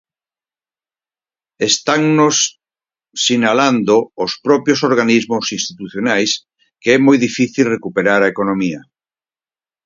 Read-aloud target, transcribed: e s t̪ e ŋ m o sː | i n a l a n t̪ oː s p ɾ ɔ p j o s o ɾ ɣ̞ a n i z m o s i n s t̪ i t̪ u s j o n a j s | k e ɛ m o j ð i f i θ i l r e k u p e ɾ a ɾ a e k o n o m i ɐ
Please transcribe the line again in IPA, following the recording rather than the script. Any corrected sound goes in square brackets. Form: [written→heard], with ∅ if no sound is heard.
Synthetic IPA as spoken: e s t̪ [e→a] ŋ [m→n] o sː | i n a l a n [t̪→d̪] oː s p ɾ ɔ p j o s o ɾ ɣ̞ a n i z m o s i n s t̪ i t̪ u [s→θ] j o n a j s | k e ɛ m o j ð i f i θ i l r e k u p e ɾ a ɾ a e k o n o m i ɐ